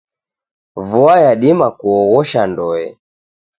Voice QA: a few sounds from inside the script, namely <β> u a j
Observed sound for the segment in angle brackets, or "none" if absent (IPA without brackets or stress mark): v